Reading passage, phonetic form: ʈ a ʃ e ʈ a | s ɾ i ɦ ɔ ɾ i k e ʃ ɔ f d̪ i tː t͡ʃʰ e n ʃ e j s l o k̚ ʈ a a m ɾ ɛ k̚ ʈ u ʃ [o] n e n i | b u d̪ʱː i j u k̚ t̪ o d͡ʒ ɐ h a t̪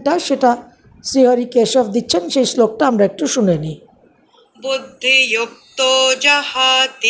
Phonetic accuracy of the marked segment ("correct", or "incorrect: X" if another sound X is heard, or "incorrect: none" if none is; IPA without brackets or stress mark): incorrect: u